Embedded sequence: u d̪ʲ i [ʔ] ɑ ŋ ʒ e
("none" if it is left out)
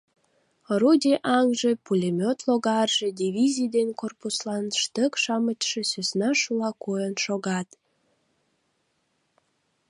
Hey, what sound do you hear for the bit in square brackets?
ʔ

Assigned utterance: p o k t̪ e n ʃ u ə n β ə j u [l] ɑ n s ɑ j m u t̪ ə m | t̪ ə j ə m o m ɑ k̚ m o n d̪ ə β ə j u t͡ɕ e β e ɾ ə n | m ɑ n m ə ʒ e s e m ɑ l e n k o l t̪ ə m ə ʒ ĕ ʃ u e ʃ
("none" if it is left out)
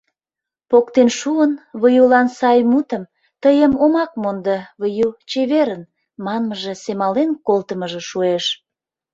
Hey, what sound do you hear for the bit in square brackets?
l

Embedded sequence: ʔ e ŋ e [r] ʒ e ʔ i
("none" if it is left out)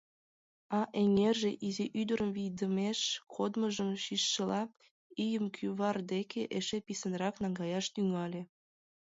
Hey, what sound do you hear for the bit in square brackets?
r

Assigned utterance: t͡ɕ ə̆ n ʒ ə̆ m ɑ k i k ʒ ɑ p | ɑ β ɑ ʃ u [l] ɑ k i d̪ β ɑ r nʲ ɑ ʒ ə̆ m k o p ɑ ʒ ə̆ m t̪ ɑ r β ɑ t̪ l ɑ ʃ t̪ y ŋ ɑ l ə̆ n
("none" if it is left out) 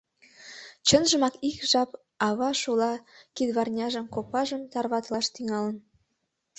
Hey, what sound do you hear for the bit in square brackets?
l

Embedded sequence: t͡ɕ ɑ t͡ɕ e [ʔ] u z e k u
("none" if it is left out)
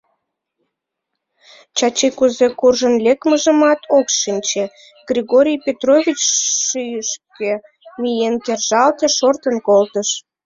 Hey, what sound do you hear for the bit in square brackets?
k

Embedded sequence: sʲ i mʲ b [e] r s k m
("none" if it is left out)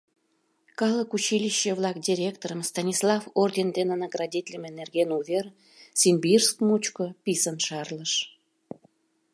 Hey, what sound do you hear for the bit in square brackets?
i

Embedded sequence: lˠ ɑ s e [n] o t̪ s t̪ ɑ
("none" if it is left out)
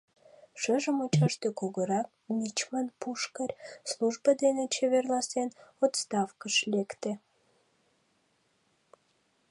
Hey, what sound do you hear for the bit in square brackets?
n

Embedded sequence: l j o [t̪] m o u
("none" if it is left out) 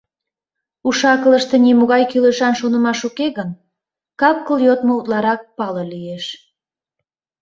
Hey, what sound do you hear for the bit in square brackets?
t̪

